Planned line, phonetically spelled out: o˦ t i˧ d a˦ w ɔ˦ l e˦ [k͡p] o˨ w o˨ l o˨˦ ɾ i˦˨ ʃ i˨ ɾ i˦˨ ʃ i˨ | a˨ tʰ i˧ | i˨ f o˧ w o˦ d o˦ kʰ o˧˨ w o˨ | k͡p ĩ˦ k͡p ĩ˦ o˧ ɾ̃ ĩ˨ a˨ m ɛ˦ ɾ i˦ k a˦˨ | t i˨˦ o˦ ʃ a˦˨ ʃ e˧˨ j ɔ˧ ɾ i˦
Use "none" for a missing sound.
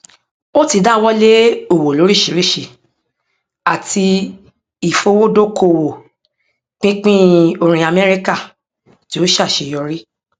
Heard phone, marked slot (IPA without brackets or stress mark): none